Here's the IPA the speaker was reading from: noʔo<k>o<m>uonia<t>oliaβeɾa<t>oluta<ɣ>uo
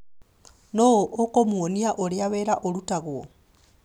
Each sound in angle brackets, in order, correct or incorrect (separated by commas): correct, correct, incorrect, incorrect, correct